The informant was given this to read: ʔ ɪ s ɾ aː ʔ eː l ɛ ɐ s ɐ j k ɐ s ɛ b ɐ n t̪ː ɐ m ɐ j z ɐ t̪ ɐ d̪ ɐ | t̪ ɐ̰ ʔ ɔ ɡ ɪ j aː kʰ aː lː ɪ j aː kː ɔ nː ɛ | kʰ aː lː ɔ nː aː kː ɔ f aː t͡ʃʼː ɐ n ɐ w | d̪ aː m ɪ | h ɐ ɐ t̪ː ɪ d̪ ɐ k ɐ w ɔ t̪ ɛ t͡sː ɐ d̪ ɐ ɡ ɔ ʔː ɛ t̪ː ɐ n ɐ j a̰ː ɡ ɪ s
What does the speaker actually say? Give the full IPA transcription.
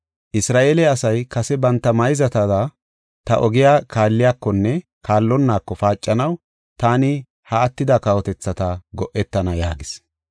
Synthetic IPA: ʔ ɪ s ɾ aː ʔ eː l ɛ ɐ s ɐ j k ɐ s ɛ b ɐ n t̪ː ɐ m ɐ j z ɐ t̪ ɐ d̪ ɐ | t̪ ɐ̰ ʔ ɔ ɡ ɪ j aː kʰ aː lː ɪ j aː kː ɔ nː ɛ | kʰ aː lː ɔ nː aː kː ɔ f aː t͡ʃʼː ɐ n ɐ w | t̪ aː n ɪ | h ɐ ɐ t̪ː ɪ d̪ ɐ k ɐ w ɔ t̪ ɛ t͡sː ɐ t̪ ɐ ɡ ɔ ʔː ɛ t̪ː ɐ n ɐ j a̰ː ɡ ɪ s